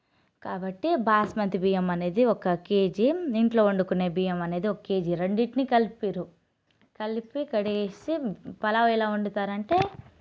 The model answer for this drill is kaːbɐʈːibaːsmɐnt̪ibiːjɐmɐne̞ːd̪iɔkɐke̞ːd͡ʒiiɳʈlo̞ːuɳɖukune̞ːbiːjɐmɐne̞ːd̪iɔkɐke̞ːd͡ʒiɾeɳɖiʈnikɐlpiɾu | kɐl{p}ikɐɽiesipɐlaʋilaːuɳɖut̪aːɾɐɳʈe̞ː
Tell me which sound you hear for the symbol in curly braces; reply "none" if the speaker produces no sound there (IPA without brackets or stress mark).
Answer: p